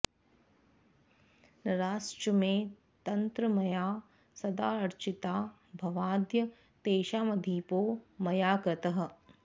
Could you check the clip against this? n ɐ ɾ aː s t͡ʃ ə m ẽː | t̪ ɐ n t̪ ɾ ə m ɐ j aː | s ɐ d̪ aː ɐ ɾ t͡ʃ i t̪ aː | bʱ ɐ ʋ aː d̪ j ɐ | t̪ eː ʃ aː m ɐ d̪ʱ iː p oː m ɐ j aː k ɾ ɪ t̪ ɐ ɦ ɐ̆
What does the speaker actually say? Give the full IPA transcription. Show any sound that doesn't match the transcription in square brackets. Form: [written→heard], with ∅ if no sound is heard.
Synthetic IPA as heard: n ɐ ɾ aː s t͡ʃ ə m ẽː | t̪ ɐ n t̪ ɾ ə m ɐ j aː | s ɐ d̪ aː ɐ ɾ t͡ʃ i t̪ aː | bʱ ɐ ʋ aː d̪ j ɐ | t̪ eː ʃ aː m ɐ d̪ʱ iː p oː m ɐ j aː k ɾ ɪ t̪ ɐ ɦ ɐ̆